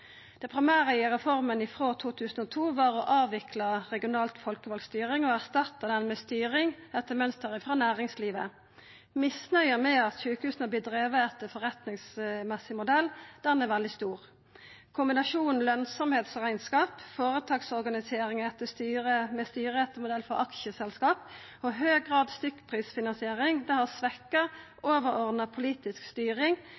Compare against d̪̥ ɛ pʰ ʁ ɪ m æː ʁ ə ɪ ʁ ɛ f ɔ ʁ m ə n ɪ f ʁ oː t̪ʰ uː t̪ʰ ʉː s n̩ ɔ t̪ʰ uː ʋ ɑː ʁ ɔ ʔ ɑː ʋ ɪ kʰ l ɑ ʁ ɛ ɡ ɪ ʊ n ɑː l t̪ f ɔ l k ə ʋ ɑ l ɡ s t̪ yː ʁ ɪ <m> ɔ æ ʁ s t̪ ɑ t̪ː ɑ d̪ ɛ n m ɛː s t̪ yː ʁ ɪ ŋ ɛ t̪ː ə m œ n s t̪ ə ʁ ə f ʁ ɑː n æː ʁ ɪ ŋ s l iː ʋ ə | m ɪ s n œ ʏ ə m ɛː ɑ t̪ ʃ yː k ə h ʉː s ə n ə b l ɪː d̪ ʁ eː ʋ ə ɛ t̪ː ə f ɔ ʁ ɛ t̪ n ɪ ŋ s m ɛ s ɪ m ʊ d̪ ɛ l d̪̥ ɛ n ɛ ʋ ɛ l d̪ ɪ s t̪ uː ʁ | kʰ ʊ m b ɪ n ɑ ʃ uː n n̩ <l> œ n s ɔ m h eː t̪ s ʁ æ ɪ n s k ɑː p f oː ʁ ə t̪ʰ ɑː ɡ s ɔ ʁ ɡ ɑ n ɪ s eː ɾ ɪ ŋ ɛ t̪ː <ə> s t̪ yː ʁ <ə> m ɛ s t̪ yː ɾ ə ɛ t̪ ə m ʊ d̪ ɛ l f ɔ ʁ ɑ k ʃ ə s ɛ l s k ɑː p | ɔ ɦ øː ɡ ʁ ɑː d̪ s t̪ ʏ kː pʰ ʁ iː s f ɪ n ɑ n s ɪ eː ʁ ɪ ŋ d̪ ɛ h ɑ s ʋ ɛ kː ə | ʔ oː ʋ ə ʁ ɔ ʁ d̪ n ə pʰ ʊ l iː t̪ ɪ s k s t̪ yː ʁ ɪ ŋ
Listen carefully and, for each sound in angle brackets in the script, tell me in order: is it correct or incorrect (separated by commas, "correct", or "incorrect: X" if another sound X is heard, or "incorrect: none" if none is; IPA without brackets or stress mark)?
incorrect: ŋ, correct, correct, correct